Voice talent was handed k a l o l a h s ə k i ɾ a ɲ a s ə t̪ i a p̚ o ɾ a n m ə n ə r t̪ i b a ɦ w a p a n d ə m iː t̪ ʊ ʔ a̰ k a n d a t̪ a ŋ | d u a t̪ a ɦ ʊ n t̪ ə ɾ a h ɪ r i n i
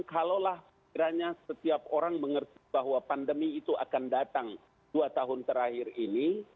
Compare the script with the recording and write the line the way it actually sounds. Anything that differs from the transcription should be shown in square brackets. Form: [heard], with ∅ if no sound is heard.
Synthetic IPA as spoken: k a l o l a h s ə k i ɾ a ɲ a s ə t̪ i a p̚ o ɾ a [ŋ] m ə [ŋ] ə r t̪ i b a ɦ w a p a n d ə m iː t̪ [u] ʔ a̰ k a n d a t̪ a ŋ | d u a t̪ a ɦ ʊ n t̪ ə ɾ a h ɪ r i n i